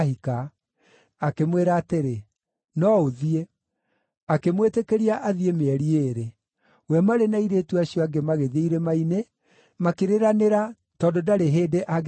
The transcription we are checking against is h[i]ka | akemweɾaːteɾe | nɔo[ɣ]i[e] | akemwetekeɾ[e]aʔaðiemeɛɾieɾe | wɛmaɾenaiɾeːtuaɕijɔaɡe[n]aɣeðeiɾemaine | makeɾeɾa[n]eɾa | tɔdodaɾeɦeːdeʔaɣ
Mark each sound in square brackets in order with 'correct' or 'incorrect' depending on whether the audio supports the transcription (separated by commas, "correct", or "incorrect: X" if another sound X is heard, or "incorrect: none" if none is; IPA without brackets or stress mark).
correct, incorrect: ð, correct, incorrect: i, incorrect: m, correct